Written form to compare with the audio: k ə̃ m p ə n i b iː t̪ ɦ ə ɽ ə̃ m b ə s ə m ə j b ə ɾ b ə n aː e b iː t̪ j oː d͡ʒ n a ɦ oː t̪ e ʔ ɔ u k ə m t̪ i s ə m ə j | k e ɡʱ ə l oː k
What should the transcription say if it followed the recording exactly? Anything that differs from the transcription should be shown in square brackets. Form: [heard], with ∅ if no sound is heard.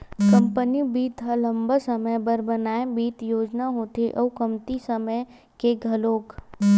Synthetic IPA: k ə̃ m p ə n i b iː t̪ ɦ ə [l] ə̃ m b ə s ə m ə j b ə ɾ b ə n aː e b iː t̪ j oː d͡ʒ n a ɦ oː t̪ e ʔ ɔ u k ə m t̪ i s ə m ə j | k e ɡʱ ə l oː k